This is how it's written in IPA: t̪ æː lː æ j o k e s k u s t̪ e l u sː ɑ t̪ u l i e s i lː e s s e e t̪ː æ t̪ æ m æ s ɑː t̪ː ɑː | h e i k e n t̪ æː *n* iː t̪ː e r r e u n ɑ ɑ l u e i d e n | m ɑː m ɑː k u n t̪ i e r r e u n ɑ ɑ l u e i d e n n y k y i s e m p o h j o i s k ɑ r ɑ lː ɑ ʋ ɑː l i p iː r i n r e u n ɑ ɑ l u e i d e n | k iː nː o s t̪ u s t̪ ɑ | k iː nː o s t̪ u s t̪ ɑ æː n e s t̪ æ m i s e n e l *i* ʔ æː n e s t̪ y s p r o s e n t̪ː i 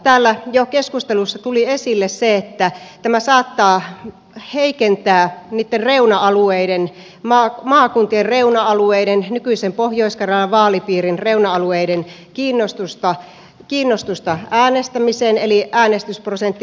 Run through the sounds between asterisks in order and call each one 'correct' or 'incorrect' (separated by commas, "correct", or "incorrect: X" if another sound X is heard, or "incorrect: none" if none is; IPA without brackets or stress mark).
correct, correct